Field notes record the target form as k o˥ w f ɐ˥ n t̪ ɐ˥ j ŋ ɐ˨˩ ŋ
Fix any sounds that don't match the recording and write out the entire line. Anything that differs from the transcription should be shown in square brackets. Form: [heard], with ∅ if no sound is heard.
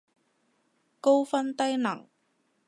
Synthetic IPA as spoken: k o˥ w f ɐ˥ n t̪ ɐ˥ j [n] ɐ˨˩ ŋ